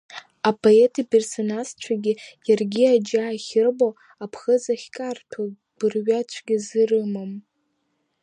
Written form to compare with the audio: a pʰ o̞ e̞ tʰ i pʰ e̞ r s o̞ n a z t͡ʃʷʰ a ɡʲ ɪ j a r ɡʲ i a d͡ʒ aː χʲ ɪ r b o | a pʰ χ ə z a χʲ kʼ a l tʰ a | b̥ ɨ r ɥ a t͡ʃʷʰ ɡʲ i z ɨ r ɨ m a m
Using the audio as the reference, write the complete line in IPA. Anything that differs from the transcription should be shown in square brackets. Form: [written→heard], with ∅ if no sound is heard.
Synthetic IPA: a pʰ o̞ e̞ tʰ i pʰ e̞ r s o̞ n a z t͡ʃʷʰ a ɡʲ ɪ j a r ɡʲ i a d͡ʒ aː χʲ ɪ r b o | a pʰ χ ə z a χʲ kʼ a [l→r] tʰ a | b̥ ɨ r ɥ a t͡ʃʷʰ ɡʲ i z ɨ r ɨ m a m